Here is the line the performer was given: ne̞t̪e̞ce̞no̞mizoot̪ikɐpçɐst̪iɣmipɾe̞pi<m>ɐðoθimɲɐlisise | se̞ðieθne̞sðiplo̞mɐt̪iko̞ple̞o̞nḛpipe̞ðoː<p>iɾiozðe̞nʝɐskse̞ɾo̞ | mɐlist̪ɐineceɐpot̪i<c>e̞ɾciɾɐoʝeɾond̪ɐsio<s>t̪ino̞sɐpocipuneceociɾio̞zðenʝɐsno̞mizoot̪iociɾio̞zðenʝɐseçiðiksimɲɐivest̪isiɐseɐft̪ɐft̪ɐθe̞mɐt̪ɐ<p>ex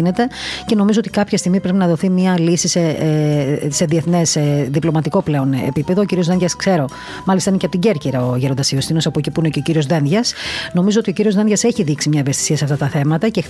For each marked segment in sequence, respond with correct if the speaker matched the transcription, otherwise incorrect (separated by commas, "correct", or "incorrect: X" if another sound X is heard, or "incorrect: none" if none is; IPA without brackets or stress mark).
incorrect: n, incorrect: c, incorrect: ɟ, correct, incorrect: c